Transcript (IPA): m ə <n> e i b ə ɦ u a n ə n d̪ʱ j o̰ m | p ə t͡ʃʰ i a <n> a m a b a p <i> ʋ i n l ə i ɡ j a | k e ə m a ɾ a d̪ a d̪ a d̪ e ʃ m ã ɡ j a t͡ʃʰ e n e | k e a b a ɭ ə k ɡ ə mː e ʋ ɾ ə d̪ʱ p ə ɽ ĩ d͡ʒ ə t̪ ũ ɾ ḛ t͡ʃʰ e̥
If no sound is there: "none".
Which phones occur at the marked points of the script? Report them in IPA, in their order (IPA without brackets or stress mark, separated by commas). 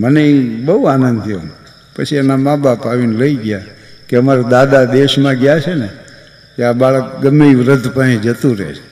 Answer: n, n, a